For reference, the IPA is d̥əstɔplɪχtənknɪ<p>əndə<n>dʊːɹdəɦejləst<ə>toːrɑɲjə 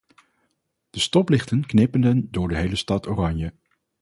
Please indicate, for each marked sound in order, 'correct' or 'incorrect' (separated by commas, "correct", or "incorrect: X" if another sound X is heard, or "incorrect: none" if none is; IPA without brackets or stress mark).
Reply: correct, correct, incorrect: ɑ